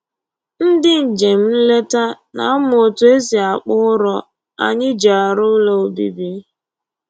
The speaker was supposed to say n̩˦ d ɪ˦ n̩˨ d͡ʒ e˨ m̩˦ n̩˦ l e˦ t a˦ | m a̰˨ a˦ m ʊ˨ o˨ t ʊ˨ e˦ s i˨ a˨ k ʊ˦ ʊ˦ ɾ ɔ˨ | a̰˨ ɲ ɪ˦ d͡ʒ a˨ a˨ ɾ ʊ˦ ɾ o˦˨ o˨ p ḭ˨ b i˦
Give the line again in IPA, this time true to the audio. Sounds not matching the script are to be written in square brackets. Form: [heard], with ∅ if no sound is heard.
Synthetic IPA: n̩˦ d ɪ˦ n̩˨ d͡ʒ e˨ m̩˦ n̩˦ l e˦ t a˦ | [n] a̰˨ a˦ m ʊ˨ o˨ t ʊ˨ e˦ s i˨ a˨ [k͡p] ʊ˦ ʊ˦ ɾ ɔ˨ | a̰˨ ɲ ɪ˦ d͡ʒ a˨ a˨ ɾ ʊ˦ [l] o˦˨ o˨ [b] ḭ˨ b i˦